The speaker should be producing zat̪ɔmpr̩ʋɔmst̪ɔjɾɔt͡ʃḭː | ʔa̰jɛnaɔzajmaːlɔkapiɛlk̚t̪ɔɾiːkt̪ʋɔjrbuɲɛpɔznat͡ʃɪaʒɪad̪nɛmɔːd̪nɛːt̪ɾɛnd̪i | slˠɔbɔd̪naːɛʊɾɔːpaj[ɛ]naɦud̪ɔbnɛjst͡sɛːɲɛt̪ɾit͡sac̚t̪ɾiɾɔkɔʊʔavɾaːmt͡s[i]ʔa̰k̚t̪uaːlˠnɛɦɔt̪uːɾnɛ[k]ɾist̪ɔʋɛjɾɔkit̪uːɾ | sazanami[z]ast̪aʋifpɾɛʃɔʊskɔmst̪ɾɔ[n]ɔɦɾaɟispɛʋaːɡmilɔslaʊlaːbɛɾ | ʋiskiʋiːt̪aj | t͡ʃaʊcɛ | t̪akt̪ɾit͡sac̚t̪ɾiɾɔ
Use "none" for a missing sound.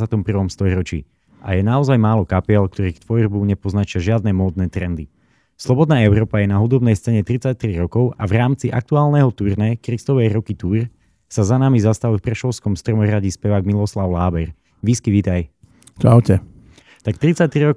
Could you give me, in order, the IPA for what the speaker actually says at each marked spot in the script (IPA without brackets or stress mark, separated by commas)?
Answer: ɛ, i, k, z, m